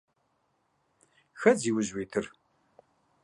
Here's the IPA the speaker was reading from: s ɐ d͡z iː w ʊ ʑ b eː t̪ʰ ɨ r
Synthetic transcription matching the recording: x ɐ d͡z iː w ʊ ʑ w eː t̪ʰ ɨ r